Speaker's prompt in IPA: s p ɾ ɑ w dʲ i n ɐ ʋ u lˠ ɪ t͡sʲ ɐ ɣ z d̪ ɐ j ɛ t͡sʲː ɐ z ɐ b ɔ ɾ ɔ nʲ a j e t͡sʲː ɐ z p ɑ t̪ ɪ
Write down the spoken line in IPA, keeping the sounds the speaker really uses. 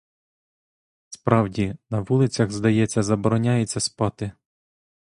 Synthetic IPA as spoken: s p ɾ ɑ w dʲ i n ɐ ʋ u lˠ ɪ t͡sʲ ɐ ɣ z d̪ ɐ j ɛ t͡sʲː ɐ z ɐ b ɔ ɾ ɔ nʲ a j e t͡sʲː ɐ s p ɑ t̪ ɪ